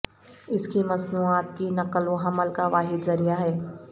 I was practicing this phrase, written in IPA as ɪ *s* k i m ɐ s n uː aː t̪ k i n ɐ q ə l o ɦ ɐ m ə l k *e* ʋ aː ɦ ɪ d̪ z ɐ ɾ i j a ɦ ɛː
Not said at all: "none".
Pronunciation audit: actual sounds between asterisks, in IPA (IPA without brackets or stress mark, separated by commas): s, a